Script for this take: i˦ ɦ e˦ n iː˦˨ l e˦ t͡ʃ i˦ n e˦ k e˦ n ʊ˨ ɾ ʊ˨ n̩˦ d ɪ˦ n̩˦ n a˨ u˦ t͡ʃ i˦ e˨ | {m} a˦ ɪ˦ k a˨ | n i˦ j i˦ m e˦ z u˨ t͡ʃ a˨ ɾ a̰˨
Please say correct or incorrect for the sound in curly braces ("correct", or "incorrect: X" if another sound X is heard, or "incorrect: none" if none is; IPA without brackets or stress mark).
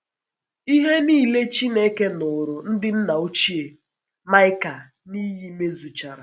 correct